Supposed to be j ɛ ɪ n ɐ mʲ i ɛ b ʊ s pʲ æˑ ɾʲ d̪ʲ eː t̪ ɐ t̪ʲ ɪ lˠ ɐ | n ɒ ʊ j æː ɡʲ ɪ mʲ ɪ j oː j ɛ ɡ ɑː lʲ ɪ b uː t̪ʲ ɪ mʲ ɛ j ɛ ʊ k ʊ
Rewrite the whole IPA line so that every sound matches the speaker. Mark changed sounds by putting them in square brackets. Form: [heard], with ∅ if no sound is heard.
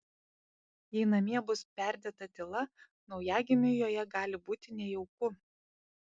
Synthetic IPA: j ɛ ɪ n ɐ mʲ i ɛ b ʊ s pʲ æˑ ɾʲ d̪ʲ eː t̪ ɐ t̪ʲ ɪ lˠ ɐ | n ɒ ʊ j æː ɡʲ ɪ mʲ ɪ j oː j ɛ ɡ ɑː lʲ ɪ b uː t̪ʲ ɪ [nʲ] ɛ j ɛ ʊ k ʊ